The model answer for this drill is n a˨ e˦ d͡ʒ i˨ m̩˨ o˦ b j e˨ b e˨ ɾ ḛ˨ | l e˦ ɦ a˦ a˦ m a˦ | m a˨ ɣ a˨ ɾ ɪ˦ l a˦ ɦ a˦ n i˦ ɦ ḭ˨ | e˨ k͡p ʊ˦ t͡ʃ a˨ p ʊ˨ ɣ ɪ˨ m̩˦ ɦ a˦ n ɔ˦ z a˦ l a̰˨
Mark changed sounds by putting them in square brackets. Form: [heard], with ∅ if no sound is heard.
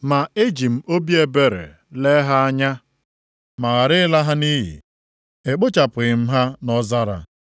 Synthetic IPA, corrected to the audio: [m] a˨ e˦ d͡ʒ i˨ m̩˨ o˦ b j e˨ b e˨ ɾ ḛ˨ | l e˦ ɦ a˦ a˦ [ɲ] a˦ | m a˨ ɣ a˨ ɾ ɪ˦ l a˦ ɦ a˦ n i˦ ɦ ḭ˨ | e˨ k͡p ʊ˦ t͡ʃ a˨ p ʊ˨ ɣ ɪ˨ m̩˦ ɦ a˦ n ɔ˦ z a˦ [ɾ] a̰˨